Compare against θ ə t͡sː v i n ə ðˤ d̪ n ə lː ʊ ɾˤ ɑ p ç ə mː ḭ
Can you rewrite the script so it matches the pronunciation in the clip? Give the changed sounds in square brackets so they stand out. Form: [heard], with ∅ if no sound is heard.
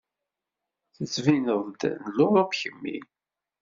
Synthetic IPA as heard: θ ə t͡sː v i n ə ðˤ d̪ n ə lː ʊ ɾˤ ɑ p ç ə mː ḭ